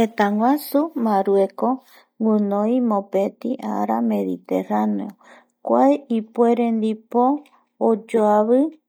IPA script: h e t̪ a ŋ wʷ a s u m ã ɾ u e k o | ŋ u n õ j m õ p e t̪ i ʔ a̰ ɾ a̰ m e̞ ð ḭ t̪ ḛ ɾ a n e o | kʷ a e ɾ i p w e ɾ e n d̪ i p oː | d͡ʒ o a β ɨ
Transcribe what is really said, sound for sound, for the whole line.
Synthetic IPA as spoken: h e t̪ a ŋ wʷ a s u m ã ɾ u e k o | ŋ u n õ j m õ p e t̪ i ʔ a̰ ɾ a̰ m e̞ ð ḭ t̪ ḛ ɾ a n e o | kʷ a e i p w e ɾ e n d̪ i p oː | d͡ʒ o a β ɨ